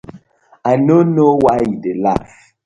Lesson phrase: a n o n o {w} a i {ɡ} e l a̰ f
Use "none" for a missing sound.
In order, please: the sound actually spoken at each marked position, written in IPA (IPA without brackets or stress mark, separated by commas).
w, d